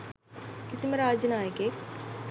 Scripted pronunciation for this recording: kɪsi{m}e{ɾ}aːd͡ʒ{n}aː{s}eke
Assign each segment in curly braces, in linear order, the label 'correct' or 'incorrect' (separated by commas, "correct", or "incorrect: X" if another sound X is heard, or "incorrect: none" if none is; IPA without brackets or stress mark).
correct, correct, correct, incorrect: none